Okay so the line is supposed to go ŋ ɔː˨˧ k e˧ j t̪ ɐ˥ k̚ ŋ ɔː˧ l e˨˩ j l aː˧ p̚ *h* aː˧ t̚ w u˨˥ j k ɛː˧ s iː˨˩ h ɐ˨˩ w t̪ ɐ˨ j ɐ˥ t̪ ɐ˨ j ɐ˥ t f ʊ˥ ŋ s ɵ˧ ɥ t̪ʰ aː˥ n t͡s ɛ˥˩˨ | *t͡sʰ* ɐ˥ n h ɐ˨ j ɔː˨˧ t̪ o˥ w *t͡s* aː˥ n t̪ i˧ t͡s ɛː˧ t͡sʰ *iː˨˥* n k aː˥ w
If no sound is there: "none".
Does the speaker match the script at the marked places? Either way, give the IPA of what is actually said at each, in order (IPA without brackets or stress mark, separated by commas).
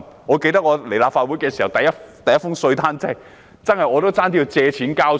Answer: f, t͡s, t͡s, iː˨˥